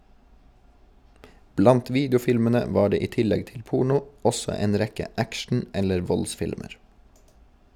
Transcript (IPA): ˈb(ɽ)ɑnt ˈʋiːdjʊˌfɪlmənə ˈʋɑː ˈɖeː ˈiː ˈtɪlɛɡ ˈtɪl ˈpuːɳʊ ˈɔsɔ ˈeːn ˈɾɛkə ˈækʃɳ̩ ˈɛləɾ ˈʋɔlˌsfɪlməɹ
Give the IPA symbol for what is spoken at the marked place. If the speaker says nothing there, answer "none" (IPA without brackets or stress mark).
l